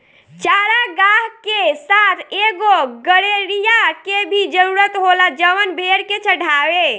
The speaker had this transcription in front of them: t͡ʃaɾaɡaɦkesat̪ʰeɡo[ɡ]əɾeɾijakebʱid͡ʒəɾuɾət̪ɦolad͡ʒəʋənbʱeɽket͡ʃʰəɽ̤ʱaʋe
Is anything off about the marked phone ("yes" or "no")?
no